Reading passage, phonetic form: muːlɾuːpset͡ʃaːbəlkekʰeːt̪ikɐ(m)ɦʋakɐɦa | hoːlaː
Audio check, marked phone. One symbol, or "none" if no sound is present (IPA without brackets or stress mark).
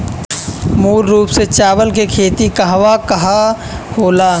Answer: none